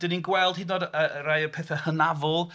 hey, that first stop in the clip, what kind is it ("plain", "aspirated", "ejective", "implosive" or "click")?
plain